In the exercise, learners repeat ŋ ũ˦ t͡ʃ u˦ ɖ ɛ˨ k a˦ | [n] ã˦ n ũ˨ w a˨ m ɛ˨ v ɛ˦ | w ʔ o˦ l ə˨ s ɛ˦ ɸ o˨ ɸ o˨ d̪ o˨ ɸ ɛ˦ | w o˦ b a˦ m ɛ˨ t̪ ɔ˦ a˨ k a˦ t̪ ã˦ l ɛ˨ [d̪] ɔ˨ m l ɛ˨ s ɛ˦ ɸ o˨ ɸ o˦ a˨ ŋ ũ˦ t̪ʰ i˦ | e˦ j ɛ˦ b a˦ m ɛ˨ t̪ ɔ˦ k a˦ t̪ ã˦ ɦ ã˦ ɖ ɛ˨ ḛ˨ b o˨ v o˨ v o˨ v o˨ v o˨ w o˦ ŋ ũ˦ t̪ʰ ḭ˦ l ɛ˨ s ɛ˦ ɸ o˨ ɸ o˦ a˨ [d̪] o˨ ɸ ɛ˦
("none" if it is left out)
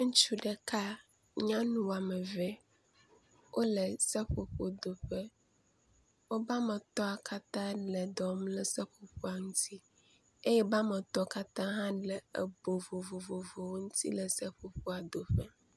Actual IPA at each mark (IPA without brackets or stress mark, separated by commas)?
ɲ, d̪, d̪